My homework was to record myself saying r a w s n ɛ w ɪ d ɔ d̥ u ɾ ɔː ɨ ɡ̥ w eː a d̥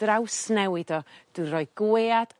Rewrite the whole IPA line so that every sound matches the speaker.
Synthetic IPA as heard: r a w s n ɛ w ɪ d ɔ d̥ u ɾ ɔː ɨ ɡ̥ w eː a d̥